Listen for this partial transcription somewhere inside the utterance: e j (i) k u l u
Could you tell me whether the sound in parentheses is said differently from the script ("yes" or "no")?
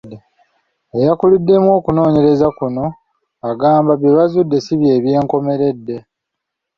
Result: yes